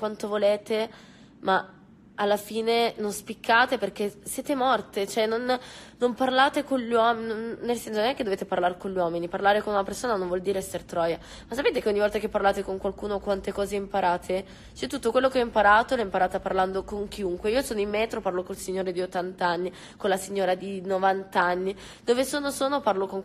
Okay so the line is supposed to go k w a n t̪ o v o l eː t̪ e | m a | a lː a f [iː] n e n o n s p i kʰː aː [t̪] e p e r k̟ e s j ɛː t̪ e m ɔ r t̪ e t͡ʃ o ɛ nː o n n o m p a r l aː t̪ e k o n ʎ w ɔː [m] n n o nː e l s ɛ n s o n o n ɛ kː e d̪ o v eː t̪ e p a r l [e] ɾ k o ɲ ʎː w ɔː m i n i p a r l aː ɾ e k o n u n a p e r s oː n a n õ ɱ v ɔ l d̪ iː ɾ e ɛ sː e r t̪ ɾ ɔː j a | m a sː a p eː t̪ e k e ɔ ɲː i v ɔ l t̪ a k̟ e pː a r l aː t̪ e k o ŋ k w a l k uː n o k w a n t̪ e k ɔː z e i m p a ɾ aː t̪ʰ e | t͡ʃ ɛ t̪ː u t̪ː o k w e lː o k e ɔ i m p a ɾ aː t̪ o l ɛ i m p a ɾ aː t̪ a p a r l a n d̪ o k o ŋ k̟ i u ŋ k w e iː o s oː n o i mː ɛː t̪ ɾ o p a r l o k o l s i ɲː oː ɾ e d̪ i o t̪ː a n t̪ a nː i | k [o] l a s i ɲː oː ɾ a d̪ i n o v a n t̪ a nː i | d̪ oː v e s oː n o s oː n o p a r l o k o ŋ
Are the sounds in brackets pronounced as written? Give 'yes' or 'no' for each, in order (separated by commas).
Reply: yes, yes, yes, no, yes